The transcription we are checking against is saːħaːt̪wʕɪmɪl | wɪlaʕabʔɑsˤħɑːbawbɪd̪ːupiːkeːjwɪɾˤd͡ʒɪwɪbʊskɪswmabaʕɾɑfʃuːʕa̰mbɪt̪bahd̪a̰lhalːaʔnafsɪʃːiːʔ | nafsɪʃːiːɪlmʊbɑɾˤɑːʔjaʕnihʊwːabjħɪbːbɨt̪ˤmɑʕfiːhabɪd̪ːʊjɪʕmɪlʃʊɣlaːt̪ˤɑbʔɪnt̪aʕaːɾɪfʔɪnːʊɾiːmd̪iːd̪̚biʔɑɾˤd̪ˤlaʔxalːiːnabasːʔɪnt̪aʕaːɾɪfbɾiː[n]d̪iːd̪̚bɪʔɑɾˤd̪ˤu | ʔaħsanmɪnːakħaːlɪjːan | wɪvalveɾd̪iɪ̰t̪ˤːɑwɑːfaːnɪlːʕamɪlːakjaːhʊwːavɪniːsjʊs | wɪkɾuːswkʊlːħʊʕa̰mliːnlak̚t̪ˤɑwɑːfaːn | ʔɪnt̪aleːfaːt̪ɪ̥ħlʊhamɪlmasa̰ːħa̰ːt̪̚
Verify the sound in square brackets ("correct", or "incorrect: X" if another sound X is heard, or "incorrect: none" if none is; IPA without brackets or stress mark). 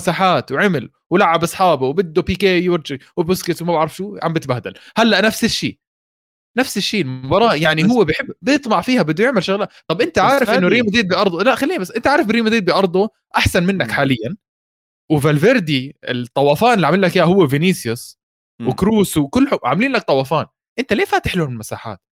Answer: incorrect: m